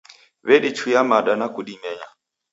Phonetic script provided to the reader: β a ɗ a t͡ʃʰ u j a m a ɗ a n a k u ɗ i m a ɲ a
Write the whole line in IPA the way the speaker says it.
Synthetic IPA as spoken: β ɛ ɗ i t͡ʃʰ u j a m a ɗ a n a k u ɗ i m ɛ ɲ a